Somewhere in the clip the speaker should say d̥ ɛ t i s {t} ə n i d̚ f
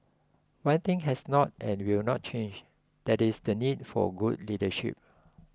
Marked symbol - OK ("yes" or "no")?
no